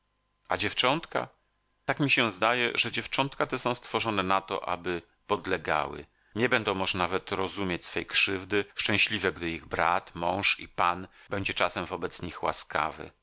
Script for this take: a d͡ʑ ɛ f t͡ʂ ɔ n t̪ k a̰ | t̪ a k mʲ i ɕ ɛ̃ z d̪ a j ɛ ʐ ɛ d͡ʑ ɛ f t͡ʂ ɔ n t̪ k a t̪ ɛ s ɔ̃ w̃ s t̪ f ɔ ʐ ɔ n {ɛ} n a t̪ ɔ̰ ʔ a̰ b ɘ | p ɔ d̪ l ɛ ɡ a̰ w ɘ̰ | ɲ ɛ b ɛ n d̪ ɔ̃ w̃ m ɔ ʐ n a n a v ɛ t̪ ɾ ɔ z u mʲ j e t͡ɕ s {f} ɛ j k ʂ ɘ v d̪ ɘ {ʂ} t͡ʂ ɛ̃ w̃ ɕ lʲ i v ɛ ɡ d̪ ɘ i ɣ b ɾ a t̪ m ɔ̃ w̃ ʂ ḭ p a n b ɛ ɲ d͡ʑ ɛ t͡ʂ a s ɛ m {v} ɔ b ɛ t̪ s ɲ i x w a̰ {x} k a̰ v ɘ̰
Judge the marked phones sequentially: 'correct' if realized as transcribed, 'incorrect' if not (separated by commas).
correct, correct, correct, correct, incorrect